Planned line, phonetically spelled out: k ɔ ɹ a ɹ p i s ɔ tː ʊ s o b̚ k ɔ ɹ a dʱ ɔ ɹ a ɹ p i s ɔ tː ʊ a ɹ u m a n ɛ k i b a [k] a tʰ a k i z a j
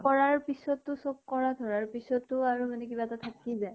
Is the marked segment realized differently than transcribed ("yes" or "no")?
yes